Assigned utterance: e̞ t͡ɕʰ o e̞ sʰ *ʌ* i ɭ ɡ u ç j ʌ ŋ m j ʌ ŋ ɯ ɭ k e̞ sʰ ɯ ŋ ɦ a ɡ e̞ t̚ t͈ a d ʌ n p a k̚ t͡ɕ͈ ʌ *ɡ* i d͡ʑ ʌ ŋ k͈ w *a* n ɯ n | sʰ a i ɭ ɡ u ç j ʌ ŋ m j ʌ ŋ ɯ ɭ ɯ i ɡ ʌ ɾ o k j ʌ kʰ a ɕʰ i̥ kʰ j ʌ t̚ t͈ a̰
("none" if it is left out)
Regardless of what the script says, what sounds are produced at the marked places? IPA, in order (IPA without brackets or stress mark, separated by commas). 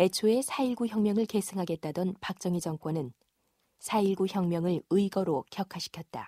a, ŋ, ʌ